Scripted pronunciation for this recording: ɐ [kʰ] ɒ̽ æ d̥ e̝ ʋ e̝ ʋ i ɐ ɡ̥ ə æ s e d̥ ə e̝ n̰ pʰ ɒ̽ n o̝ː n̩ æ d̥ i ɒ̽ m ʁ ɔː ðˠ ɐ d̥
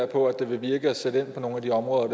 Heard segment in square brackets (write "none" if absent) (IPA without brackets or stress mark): pʰ